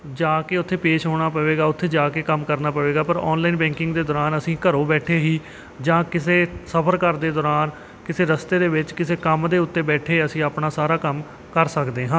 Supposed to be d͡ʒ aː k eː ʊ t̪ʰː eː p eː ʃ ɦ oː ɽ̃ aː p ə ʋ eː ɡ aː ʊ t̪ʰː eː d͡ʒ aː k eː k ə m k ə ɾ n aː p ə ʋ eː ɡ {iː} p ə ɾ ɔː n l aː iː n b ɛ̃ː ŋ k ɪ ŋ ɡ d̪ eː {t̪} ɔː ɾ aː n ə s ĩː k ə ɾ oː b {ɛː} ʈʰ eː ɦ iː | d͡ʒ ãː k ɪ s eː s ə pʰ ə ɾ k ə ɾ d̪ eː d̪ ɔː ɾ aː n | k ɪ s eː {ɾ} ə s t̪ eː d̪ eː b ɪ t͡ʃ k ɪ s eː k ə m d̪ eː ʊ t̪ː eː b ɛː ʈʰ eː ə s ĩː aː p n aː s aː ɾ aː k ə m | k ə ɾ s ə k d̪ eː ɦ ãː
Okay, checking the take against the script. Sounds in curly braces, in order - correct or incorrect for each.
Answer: incorrect: aː, incorrect: d̪, correct, correct

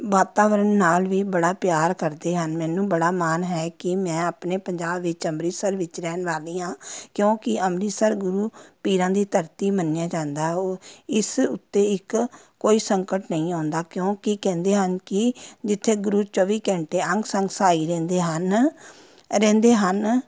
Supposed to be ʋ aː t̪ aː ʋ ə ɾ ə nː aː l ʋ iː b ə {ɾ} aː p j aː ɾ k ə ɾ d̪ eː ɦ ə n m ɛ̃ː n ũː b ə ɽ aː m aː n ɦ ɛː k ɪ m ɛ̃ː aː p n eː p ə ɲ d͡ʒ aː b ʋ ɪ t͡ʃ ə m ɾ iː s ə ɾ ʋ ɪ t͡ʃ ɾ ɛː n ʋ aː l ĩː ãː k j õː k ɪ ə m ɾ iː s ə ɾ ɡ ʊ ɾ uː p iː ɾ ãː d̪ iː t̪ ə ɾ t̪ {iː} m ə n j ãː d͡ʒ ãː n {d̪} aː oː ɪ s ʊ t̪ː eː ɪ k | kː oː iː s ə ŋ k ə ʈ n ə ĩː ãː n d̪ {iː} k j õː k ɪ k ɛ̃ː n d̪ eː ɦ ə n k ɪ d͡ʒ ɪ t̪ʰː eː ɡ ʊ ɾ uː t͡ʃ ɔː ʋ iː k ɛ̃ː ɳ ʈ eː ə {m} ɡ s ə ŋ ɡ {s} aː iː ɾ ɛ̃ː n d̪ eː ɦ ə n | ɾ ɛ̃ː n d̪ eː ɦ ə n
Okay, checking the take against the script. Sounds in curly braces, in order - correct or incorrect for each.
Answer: incorrect: ɽ, correct, correct, incorrect: aː, incorrect: ŋ, correct

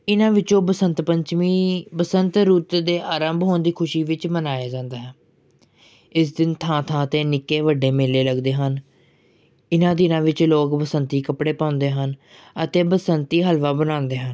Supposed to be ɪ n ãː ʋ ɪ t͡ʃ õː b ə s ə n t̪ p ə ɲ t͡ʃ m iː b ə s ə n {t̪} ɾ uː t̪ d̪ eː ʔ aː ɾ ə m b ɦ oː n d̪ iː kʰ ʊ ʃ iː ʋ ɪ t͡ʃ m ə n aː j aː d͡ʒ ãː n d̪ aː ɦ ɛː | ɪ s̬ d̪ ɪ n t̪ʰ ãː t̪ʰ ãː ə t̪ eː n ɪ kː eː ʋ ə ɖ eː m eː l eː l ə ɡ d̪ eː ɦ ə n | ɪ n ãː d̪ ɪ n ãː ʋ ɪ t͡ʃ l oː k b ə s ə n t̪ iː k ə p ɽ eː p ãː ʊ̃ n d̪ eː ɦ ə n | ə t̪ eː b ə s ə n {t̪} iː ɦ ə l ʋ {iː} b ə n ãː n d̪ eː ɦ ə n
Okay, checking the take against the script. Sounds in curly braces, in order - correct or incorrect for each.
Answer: correct, correct, incorrect: aː

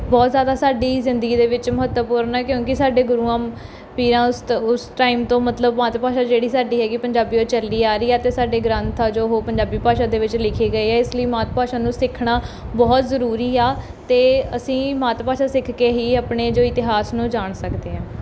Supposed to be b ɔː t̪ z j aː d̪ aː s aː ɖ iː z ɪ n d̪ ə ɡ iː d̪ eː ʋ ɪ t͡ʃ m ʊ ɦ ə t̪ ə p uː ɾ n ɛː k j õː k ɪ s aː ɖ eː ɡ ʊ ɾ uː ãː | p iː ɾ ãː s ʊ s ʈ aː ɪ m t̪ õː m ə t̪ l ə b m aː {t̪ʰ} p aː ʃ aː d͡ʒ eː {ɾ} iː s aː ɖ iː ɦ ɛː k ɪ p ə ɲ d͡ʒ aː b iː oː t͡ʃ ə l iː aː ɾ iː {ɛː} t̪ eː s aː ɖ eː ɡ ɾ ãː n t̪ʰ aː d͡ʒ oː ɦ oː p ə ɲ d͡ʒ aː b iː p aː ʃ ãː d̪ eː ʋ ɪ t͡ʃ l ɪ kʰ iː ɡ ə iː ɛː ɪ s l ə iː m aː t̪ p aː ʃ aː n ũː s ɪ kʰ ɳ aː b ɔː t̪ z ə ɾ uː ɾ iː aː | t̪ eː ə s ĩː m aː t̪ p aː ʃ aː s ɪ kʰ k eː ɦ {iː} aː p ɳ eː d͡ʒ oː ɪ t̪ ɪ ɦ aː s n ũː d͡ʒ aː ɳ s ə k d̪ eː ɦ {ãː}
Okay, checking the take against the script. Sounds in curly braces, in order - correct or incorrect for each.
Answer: incorrect: t̪, incorrect: ɽ, correct, correct, correct

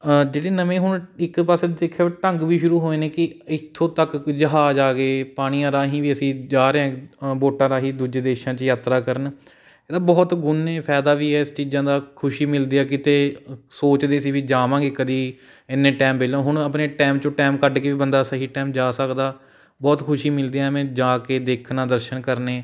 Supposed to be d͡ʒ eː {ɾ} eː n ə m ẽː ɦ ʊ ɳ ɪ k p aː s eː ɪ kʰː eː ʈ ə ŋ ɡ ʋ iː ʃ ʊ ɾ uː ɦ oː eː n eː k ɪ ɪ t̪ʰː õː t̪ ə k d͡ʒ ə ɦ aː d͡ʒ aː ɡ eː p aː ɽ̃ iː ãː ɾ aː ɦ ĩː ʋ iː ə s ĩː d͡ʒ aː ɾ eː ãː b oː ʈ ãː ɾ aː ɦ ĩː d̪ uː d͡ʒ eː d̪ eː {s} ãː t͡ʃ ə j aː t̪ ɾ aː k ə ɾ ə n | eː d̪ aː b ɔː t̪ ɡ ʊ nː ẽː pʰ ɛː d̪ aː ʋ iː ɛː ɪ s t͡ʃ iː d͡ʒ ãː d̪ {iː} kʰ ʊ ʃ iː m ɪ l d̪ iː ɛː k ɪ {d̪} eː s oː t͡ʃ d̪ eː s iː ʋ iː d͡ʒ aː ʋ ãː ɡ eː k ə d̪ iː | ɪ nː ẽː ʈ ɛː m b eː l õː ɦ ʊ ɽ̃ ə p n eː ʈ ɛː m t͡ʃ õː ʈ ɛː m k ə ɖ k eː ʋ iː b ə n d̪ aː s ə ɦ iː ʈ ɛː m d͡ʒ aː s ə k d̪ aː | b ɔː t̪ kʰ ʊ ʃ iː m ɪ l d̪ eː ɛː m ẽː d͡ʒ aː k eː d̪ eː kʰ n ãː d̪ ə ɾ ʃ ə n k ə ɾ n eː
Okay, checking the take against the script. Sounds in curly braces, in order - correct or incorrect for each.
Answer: incorrect: ɽ, incorrect: ʃ, incorrect: aː, incorrect: t̪

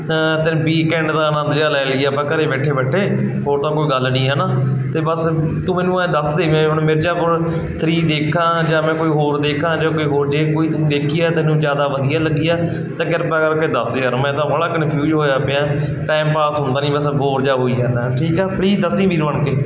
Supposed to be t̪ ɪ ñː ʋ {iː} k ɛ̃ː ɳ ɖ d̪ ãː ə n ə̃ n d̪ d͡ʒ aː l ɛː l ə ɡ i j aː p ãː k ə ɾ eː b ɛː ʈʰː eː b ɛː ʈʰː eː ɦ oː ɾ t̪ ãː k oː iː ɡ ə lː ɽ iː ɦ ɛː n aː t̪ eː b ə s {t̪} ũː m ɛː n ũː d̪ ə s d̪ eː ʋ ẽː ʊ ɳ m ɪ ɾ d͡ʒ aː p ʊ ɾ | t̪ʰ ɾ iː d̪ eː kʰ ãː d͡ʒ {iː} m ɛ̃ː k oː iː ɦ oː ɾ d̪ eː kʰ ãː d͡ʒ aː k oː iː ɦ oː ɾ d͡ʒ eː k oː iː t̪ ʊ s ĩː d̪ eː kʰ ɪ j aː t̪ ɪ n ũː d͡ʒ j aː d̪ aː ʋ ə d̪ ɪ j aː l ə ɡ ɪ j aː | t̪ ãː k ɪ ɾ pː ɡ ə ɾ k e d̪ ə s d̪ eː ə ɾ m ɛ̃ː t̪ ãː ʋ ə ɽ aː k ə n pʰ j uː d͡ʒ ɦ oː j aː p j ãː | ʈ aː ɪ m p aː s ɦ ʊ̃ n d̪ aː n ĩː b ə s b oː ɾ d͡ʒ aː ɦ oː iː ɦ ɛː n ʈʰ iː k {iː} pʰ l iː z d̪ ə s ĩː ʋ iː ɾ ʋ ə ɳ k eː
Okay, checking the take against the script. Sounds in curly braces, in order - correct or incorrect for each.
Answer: correct, correct, incorrect: aː, incorrect: ɛː

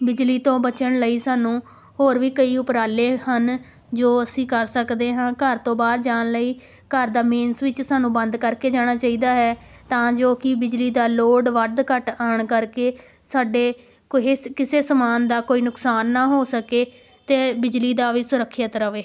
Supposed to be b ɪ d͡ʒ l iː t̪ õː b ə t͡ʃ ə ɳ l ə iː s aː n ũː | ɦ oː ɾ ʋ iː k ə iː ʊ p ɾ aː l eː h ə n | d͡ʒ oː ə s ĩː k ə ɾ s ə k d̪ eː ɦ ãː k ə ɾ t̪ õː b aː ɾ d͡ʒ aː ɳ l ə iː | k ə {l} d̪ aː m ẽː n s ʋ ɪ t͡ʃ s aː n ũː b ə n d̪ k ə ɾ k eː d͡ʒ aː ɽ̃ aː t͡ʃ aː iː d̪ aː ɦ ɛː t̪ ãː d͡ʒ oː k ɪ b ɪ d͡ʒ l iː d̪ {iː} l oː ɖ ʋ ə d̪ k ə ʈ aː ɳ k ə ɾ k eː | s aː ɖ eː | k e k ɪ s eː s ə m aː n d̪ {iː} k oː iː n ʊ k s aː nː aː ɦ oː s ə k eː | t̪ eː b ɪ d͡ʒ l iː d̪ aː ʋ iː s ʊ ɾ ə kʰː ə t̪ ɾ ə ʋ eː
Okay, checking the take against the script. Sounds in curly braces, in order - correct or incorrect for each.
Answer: incorrect: ɾ, incorrect: aː, incorrect: aː

